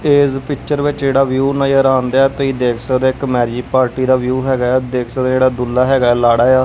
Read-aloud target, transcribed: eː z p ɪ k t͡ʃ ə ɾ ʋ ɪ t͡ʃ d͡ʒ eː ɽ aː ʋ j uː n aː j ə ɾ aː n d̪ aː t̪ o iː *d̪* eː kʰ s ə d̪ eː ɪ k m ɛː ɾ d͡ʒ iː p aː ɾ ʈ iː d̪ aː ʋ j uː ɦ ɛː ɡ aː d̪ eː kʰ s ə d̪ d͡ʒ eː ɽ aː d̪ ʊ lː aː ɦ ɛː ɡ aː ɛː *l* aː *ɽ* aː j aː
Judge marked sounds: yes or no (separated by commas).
yes, yes, yes